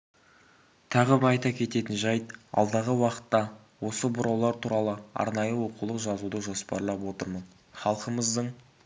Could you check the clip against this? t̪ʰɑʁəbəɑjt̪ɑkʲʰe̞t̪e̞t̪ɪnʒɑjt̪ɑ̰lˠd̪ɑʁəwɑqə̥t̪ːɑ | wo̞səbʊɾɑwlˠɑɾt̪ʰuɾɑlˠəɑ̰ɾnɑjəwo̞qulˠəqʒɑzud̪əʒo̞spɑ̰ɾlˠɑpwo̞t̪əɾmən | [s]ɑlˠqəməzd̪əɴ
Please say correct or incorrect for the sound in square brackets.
incorrect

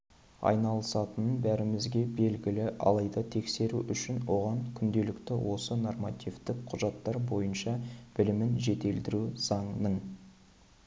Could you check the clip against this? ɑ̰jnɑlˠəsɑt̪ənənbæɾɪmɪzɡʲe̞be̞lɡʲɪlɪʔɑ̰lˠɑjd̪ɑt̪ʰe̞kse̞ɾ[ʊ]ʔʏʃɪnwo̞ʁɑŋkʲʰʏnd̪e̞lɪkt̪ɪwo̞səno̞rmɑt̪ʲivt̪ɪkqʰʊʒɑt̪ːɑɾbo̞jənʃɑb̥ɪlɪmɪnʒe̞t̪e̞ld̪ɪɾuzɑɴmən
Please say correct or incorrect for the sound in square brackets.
incorrect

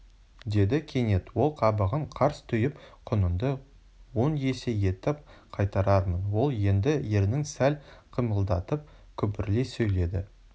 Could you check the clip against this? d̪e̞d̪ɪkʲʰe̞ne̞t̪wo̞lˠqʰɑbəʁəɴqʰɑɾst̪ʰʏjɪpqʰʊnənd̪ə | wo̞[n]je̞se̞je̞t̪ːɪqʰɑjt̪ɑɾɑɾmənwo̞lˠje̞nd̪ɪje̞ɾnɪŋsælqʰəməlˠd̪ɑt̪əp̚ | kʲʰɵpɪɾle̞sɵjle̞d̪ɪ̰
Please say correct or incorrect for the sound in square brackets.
correct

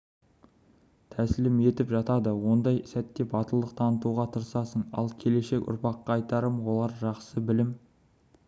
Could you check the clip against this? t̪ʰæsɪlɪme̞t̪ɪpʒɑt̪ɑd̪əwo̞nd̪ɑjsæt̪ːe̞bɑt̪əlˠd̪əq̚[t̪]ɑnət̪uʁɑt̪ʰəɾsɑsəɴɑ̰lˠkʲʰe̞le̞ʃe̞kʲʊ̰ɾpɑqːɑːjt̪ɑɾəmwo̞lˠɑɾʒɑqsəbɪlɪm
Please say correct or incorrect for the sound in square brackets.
incorrect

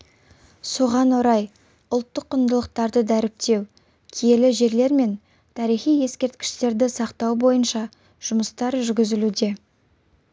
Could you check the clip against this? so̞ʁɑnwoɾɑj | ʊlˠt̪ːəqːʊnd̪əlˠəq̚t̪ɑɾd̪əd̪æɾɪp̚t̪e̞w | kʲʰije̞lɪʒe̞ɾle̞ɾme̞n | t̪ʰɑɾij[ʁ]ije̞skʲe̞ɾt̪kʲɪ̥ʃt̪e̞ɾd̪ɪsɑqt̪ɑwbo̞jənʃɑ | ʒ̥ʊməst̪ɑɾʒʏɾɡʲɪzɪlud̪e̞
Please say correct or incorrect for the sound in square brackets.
incorrect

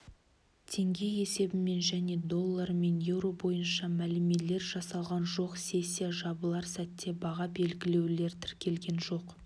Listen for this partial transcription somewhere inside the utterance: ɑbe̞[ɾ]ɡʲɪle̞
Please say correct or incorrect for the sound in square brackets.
incorrect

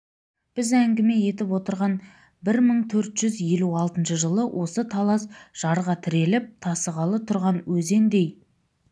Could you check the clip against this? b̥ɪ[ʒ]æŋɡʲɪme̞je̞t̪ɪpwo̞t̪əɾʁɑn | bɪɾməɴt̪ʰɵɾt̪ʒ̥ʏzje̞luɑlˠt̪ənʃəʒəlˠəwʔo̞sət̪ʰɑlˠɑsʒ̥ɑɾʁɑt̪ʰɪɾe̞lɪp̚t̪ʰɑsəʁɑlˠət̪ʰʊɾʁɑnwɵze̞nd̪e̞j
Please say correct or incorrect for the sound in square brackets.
incorrect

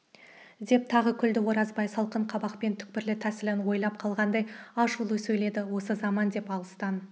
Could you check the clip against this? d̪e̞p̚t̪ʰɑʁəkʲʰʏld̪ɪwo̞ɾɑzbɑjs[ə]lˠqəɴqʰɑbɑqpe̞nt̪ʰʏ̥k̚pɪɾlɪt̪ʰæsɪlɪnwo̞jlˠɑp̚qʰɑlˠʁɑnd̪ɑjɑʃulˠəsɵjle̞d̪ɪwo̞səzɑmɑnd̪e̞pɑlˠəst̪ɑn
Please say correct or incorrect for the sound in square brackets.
incorrect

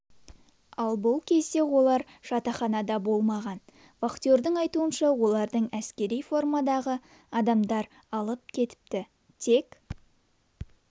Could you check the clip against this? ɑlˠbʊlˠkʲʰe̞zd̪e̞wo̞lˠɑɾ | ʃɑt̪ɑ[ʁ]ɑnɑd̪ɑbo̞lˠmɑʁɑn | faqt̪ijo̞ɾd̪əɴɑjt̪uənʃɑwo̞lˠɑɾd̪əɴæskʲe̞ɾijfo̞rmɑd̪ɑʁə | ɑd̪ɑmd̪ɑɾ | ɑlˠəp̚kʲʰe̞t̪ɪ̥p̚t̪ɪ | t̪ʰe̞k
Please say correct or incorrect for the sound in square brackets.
incorrect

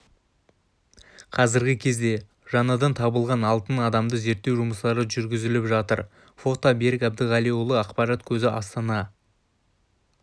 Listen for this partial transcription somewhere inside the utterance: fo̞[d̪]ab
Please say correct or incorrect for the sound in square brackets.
incorrect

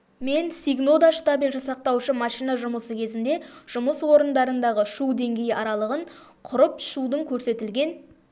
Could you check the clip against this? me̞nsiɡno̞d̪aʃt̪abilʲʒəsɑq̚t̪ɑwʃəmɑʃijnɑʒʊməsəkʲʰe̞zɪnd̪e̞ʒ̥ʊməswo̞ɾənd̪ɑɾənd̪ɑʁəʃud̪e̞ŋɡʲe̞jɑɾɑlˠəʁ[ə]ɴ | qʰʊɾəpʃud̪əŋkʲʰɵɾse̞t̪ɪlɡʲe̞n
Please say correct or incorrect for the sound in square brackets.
correct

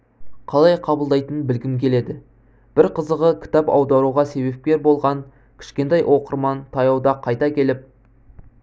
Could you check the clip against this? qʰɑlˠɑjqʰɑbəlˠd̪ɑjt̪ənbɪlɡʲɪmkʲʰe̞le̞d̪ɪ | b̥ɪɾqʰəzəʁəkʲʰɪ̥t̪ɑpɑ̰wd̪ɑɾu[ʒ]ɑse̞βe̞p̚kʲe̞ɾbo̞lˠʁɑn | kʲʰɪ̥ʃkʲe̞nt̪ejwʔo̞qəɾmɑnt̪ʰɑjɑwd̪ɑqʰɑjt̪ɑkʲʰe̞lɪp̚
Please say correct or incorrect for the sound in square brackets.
incorrect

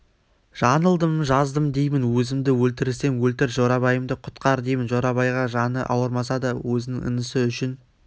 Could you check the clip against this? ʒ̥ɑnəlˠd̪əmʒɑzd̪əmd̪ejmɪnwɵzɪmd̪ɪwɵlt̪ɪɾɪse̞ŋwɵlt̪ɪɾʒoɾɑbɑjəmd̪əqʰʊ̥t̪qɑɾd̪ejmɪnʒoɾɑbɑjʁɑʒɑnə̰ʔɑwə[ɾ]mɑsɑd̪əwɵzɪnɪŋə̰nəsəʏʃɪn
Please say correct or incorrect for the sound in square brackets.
correct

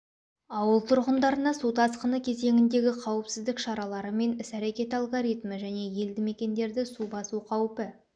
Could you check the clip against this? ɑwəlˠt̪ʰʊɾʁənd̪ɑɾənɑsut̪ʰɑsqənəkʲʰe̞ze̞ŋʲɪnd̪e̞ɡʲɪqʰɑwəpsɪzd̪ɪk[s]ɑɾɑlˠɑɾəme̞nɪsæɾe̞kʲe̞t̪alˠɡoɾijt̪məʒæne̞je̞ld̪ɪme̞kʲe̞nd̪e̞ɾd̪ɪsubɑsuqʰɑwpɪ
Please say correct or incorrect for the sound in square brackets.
incorrect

